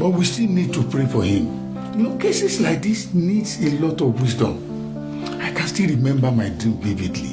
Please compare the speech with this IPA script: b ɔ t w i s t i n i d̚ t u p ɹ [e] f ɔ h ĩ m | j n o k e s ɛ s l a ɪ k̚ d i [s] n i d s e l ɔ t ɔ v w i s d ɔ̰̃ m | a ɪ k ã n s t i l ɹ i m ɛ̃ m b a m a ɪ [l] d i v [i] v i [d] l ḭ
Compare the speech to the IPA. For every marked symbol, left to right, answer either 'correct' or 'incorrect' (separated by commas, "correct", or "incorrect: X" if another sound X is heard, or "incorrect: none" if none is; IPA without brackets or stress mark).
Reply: correct, correct, incorrect: none, correct, correct